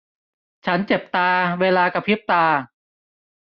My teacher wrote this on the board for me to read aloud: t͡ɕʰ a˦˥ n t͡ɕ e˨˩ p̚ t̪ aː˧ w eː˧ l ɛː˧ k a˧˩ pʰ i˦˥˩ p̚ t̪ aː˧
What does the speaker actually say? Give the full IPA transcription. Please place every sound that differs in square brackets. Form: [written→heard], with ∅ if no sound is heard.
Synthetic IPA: t͡ɕʰ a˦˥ n t͡ɕ e˨˩ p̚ t̪ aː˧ w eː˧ l [ɛː˧→aː˧] k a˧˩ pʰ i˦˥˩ p̚ t̪ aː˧